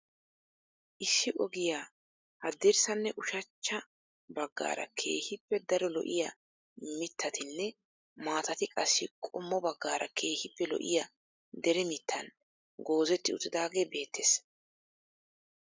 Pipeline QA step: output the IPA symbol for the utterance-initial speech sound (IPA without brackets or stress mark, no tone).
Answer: ʔ